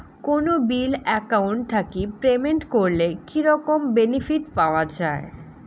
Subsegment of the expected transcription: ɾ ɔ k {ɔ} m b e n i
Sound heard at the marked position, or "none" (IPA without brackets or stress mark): o